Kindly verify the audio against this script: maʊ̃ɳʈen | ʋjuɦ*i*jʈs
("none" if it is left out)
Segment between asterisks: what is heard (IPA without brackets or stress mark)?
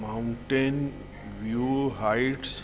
a